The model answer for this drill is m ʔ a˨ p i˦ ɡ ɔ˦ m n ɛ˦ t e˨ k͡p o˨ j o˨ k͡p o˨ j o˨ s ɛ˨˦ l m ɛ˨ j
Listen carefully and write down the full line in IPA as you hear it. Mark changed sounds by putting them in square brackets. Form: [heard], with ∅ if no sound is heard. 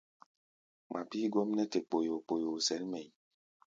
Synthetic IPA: m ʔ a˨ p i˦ ɡ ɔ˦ m n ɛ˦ t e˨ k͡p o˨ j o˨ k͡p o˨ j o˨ s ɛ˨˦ l m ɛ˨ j